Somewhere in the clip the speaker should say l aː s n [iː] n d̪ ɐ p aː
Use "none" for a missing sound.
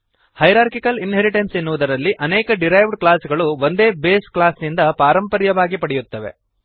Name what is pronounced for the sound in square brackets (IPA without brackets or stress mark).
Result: i